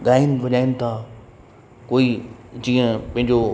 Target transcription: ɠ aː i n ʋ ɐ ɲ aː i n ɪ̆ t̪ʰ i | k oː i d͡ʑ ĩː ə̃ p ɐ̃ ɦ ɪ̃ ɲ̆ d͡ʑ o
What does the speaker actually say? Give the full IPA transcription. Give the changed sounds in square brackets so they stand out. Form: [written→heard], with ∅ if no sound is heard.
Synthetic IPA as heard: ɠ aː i n ʋ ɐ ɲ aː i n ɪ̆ t̪ʰ [i→a] | k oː i d͡ʑ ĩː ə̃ p ɐ̃ ɦ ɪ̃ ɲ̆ d͡ʑ o